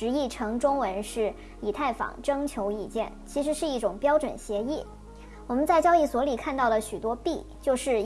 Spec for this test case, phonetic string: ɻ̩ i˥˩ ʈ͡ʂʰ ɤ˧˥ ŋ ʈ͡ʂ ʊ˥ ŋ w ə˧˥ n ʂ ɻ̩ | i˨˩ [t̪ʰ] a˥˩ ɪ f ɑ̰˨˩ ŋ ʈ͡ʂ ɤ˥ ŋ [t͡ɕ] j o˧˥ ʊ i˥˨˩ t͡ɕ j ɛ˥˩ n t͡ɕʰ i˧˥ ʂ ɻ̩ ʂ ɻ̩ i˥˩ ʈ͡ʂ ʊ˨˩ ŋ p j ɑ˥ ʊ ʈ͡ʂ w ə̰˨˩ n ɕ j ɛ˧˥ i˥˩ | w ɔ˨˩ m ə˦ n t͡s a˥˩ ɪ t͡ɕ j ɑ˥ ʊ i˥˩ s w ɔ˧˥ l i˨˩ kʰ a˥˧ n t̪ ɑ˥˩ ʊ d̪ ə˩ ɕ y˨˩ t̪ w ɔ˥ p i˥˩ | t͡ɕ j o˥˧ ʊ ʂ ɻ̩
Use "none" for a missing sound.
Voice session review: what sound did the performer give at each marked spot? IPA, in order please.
t̪ʰ, t͡ɕʰ

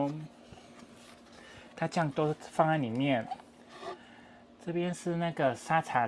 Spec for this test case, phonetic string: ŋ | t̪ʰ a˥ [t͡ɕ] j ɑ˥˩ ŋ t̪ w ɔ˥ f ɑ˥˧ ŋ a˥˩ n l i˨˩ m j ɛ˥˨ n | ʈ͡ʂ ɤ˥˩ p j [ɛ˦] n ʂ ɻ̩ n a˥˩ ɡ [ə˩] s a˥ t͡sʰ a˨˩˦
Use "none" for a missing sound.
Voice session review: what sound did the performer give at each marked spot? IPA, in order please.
t͡ɕ, ɛ˦, ə˩

